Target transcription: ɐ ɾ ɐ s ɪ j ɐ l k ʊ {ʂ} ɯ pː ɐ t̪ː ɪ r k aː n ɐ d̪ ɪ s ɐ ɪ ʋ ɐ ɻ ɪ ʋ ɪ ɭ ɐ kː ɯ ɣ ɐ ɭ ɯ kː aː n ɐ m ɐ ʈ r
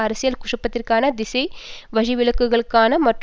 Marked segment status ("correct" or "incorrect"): correct